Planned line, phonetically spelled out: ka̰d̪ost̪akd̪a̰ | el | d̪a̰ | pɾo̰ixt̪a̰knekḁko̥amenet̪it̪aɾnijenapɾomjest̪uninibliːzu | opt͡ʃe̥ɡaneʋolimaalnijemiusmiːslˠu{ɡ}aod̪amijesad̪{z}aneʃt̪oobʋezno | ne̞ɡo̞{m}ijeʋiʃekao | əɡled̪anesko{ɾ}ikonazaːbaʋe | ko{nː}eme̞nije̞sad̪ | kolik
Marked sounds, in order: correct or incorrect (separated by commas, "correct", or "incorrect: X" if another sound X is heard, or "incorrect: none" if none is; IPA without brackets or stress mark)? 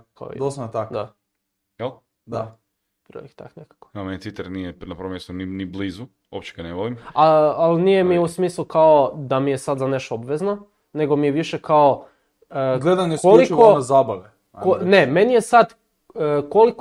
incorrect: k, correct, correct, incorrect: l, incorrect: n